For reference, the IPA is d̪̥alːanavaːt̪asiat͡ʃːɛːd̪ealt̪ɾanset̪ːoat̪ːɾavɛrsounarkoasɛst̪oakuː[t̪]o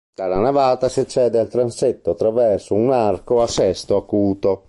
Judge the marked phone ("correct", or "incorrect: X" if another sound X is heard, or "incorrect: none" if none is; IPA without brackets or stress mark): correct